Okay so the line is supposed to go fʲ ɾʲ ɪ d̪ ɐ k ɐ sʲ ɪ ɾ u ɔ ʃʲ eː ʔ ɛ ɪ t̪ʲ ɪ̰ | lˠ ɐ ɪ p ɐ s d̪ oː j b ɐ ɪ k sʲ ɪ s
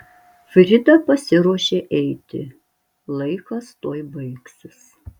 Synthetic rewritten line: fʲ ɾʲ ɪ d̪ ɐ p ɐ sʲ ɪ ɾ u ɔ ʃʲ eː ʔ ɛ ɪ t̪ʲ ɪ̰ | lˠ ɐ ɪ k ɐ s t̪ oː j b ɐ ɪ k sʲ ɪ s